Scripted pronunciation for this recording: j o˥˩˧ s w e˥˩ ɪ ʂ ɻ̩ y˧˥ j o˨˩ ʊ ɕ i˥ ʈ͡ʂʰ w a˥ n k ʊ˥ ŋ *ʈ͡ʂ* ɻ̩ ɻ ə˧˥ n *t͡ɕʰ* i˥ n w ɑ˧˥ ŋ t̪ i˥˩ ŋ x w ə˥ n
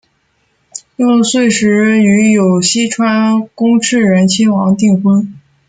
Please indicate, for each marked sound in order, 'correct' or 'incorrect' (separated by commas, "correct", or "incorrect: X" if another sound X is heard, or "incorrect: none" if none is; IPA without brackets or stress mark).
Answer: incorrect: ʈ͡ʂʰ, correct